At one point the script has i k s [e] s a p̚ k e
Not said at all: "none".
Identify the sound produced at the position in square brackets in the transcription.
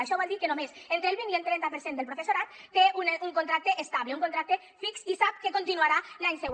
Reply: i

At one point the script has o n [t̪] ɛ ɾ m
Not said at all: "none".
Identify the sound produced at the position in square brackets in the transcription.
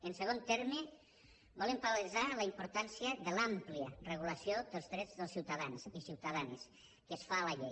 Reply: t̪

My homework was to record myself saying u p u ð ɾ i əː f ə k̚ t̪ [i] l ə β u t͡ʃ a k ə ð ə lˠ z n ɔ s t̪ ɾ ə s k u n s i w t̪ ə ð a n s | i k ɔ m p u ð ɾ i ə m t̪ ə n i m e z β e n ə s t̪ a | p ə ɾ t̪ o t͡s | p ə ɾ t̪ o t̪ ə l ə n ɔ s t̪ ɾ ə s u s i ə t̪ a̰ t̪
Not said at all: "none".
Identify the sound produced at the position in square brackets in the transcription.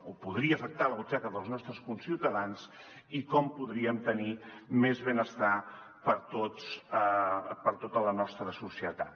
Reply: a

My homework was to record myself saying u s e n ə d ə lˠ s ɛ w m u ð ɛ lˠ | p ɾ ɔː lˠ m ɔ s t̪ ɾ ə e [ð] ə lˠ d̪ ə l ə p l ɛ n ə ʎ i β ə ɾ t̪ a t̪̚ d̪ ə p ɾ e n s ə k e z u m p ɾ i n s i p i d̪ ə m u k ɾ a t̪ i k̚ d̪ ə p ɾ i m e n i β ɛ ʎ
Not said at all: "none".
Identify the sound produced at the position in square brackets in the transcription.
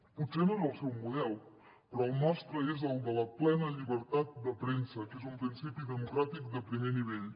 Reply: z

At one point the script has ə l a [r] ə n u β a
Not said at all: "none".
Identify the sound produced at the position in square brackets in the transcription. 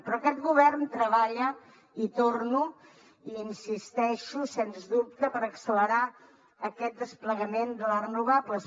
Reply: r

